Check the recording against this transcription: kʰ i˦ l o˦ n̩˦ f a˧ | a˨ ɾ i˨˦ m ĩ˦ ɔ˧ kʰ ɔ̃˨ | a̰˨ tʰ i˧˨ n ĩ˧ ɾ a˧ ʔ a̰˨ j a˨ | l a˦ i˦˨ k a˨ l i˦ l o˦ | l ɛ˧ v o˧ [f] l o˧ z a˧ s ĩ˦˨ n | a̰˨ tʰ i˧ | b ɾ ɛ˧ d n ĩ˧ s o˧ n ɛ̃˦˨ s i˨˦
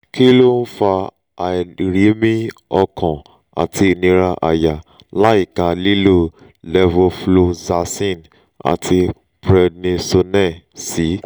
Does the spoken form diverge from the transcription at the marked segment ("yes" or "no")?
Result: no